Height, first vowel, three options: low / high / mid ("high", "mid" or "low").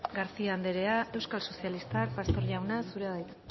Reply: low